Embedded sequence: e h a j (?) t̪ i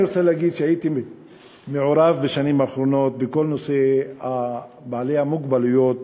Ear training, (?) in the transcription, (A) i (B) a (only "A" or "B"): A